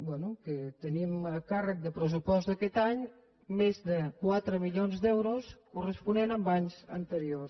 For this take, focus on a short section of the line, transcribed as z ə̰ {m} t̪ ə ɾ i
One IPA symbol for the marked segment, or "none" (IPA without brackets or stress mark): n